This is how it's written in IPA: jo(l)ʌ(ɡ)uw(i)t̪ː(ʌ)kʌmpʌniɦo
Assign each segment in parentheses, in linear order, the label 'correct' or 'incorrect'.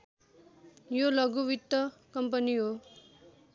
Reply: correct, correct, correct, correct

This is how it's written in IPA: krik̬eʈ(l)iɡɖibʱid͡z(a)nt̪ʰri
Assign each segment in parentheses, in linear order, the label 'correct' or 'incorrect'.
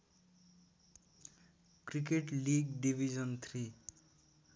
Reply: correct, incorrect: ʌ

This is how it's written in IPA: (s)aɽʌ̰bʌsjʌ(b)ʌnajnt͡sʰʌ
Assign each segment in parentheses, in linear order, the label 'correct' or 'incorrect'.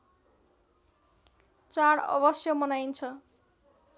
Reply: incorrect: t͡s, incorrect: m

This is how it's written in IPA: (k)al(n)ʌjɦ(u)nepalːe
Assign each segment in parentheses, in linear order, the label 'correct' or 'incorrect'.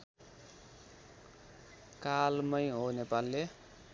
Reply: correct, incorrect: m, incorrect: o

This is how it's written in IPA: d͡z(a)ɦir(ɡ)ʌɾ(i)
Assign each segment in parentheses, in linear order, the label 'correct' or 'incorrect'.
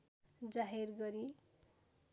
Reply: correct, correct, correct

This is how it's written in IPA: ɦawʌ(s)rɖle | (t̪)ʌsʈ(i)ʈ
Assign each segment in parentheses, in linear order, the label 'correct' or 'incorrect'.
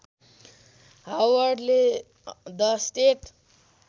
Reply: incorrect: none, incorrect: d̪, incorrect: e

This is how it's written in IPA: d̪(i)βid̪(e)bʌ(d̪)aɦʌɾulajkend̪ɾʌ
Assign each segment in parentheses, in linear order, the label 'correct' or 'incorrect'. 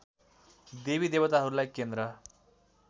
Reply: incorrect: e, correct, incorrect: t̪

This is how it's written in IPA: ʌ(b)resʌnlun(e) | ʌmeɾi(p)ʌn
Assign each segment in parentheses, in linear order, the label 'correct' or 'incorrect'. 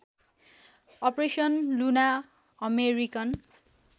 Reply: incorrect: p, incorrect: a, incorrect: k

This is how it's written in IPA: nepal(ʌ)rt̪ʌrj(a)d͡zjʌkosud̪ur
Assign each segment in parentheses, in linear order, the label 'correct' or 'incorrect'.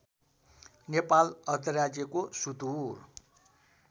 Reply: correct, correct

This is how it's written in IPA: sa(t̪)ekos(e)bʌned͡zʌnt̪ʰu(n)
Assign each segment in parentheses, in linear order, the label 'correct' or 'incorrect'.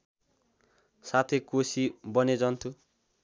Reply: incorrect: t̪ʰ, incorrect: i, incorrect: none

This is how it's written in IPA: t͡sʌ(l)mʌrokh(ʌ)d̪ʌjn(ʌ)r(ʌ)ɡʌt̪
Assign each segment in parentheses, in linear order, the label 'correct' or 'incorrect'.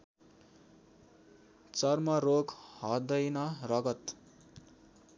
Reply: incorrect: r, correct, correct, correct

